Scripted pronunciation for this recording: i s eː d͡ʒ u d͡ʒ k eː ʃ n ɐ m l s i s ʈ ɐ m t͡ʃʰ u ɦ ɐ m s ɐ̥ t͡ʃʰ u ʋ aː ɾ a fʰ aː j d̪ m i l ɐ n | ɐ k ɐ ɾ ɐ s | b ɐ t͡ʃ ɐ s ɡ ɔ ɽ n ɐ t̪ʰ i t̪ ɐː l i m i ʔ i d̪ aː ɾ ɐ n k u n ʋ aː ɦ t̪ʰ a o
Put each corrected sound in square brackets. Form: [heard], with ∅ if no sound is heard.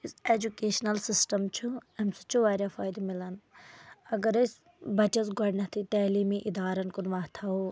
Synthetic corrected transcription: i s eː d͡ʒ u [∅] k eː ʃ n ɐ [∅] l s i s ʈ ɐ m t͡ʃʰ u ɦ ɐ m s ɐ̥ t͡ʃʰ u ʋ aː ɾ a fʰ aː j d̪ m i l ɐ n | ɐ [ɡ] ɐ ɾ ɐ s | b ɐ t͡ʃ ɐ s ɡ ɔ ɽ n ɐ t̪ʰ i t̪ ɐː l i m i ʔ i d̪ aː ɾ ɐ n k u n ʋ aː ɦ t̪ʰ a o